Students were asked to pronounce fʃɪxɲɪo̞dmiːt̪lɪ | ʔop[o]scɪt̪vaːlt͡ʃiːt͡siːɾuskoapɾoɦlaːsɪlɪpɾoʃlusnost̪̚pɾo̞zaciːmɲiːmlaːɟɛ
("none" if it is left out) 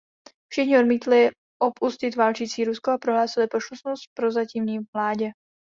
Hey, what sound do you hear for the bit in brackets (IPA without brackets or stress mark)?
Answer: u